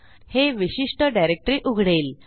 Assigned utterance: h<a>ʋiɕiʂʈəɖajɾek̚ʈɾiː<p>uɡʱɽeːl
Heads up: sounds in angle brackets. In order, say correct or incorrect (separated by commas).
incorrect, incorrect